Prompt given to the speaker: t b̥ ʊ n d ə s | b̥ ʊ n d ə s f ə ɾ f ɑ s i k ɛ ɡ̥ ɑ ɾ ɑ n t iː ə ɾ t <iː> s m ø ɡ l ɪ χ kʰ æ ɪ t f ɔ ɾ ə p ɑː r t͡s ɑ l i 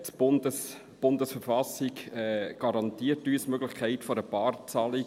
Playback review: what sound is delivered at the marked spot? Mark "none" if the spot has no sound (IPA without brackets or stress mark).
yː